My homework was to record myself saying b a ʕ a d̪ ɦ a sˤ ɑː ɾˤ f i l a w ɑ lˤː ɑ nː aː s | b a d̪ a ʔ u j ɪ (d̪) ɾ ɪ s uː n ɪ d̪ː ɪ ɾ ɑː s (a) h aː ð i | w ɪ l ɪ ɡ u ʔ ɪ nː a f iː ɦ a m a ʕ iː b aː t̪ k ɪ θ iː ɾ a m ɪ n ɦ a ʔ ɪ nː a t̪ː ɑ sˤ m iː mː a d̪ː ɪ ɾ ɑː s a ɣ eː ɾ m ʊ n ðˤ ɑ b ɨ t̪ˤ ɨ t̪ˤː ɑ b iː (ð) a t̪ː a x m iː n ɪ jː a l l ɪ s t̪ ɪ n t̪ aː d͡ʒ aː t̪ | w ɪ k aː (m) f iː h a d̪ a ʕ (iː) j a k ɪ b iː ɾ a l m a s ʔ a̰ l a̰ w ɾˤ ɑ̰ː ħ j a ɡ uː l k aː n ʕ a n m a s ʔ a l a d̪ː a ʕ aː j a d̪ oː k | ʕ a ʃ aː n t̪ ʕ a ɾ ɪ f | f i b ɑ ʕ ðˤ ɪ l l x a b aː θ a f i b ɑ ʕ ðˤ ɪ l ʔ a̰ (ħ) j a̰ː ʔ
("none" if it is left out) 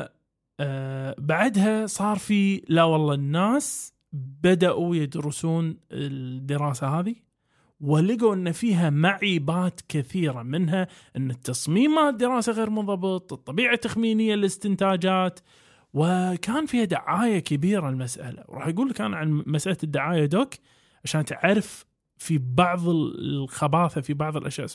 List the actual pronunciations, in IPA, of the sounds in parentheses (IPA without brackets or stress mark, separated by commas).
d̪, a, ʕ, n, aː, ʃ